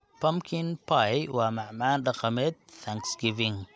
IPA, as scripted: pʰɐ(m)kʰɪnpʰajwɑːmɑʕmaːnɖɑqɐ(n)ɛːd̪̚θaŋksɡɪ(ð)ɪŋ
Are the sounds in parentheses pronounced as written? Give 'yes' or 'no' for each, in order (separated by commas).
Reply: yes, no, no